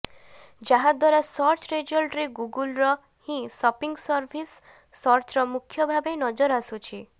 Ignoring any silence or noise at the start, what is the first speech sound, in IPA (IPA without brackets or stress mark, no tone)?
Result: d͡ʒ